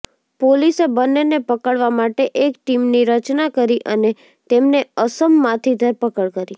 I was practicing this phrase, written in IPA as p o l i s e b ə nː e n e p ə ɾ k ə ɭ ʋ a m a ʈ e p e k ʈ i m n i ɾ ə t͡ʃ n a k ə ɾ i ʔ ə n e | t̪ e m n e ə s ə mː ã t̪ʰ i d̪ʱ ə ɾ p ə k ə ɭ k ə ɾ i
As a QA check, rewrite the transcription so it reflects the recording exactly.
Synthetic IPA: p o l i s e b ə nː e n e p ə k ə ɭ ʋ a m a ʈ e ʔ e k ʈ i m n i ɾ ə t͡ʃ n a k ə ɾ i ʔ ə n e | t̪ e m n e ə s ə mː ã t̪ʰ i d̪ʱ ə ɾ p ə k ə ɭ k ə ɾ i